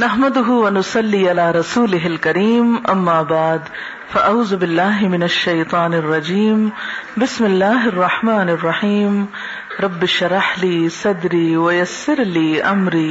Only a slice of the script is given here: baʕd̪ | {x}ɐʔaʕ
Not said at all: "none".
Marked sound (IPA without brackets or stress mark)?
f